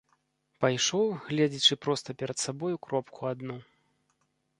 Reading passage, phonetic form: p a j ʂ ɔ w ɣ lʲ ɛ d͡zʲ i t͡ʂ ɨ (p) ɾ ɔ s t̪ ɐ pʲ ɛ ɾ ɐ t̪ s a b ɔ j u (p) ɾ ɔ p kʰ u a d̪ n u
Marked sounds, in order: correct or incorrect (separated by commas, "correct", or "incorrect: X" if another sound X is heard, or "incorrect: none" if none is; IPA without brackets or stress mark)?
correct, incorrect: k